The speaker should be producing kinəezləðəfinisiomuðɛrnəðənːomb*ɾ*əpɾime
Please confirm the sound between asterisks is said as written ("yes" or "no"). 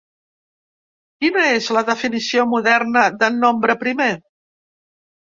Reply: yes